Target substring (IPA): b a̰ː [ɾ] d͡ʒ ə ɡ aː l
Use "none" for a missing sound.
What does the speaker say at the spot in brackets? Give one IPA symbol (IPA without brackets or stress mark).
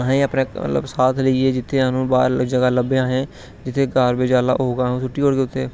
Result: ɾ